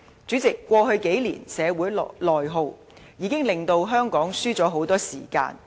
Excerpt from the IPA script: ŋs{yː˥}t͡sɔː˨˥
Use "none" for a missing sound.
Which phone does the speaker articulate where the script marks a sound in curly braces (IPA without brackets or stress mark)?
yː˥